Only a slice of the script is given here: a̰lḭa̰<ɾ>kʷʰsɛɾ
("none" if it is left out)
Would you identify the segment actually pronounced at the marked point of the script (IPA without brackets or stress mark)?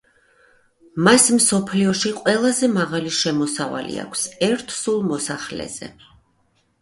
none